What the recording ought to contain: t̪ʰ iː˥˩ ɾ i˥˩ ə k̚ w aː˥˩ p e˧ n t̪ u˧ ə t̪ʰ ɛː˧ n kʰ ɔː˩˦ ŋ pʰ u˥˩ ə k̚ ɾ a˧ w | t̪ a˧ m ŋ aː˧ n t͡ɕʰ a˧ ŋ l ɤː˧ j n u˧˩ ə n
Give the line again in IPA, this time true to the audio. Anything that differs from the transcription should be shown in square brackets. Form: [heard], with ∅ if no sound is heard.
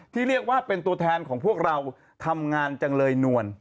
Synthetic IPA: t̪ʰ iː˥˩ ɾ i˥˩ ə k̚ w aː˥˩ p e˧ n t̪ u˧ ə t̪ʰ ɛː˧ n kʰ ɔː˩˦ ŋ pʰ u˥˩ ə k̚ ɾ a˧ w | [t̪ʰ] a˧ m ŋ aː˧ n [t͡ɕ] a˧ ŋ l ɤː˧ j n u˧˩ ə n